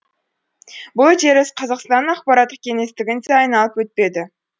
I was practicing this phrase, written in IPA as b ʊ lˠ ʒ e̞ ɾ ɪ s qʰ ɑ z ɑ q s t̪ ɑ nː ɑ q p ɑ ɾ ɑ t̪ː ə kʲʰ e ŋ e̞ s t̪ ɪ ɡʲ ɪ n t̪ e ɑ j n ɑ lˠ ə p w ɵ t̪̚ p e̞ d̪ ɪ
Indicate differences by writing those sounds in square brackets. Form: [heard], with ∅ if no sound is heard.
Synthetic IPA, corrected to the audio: b ʊ lˠ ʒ e̞ ɾ ɪ s qʰ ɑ z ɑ q s t̪ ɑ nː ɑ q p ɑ ɾ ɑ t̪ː ə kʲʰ e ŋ e̞ s t̪ ɪ ɡʲ ɪ n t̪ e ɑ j n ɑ lˠ ə p w ɵ t̪̚ p e̞ d̪ ɪ